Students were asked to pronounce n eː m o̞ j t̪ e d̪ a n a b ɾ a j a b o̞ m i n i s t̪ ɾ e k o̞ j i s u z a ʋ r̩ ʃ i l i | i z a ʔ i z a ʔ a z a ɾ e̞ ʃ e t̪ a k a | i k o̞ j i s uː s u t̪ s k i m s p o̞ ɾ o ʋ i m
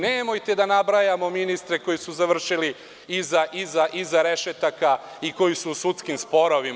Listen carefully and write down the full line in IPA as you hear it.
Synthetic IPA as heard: n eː m o̞ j t̪ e d̪ a n a b ɾ a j a m o̞ m i n i s t̪ ɾ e k o̞ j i s u z a ʋ r̩ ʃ i l i | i z a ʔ i z a ʔ i z a ɾ e̞ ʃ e t̪ a k a | i k o̞ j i s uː s u t̪ s k i m s p o̞ ɾ o ʋ i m